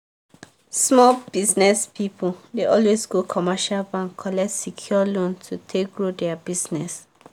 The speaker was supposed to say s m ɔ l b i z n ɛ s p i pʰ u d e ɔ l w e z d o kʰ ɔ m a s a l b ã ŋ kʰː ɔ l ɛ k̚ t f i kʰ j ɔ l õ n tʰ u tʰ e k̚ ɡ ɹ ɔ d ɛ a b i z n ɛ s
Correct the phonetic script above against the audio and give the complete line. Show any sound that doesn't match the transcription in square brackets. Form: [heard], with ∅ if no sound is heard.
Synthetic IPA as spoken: s m ɔ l b i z n ɛ s p i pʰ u d e ɔ l w e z [ɡ] o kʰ ɔ m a [ʃ] a l b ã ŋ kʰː ɔ l ɛ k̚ t [s] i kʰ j ɔ l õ n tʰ u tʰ e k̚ ɡ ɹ [o] d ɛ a b i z n ɛ s